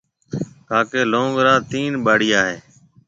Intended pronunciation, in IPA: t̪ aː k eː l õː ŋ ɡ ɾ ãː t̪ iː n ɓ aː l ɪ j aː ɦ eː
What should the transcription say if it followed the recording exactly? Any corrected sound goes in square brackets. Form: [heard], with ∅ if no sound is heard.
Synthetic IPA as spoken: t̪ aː k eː l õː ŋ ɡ ɾ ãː t̪ iː n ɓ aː [ɽ] ɪ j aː ɦ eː

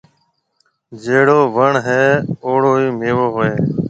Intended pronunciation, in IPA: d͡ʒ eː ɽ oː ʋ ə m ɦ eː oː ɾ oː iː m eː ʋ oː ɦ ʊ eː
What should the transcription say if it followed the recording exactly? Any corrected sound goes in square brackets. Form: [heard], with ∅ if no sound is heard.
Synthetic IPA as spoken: d͡ʒ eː ɽ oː ʋ ə [ɳ] ɦ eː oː [ɽ] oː iː m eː ʋ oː ɦ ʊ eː

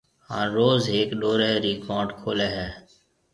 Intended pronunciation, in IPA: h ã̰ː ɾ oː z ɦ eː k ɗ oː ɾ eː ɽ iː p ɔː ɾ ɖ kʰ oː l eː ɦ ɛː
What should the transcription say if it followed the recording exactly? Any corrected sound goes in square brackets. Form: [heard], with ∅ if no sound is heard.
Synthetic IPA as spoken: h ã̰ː ɾ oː z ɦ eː k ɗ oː ɾ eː [ɾ] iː [k] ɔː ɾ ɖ kʰ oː l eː ɦ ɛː

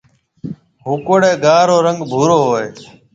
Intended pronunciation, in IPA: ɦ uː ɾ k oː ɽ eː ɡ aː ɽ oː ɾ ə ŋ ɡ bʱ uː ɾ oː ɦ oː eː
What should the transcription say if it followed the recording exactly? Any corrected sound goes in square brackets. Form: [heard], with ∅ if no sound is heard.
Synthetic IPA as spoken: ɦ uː [∅] k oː ɽ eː ɡ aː [ɾ] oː ɾ ə ŋ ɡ bʱ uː ɾ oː ɦ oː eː

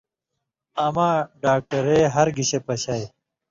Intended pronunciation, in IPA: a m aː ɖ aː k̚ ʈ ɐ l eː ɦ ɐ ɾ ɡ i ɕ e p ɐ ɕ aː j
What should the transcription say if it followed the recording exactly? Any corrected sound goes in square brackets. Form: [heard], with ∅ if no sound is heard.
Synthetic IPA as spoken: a m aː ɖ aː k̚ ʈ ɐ [ɾ] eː ɦ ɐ ɾ ɡ i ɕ e p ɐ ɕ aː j

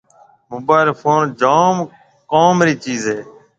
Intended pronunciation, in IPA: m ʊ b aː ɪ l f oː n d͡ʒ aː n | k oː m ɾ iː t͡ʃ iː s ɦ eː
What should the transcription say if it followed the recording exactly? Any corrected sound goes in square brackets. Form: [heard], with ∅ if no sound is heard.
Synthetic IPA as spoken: m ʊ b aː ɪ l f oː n d͡ʒ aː [m] | k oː m ɾ iː t͡ʃ iː [z] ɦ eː

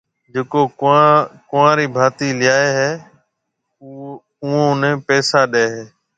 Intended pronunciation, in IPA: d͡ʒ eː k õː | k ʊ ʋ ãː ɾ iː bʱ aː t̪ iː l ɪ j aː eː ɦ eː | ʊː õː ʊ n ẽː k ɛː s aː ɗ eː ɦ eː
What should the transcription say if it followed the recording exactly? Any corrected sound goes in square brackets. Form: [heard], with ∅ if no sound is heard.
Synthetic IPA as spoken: d͡ʒ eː k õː | k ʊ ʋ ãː ɾ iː bʱ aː t̪ iː l ɪ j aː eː ɦ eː | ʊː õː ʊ n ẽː [p] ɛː s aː ɗ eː ɦ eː

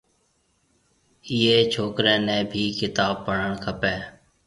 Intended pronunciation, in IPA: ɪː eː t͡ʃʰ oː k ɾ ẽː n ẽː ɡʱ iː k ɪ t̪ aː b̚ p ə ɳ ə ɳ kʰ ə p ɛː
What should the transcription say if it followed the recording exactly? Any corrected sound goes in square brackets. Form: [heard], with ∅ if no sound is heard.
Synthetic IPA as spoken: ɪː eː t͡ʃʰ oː k ɾ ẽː n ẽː [bʱ] iː k ɪ t̪ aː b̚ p ə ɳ ə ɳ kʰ ə p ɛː

